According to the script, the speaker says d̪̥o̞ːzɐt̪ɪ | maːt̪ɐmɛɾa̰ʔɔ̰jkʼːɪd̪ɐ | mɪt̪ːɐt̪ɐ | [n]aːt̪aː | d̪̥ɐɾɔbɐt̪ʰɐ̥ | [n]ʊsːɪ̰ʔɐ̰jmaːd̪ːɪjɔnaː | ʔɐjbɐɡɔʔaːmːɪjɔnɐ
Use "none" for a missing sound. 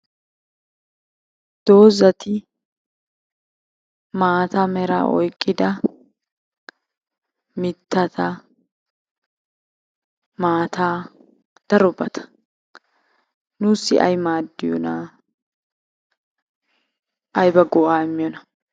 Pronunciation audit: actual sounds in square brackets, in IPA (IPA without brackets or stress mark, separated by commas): m, n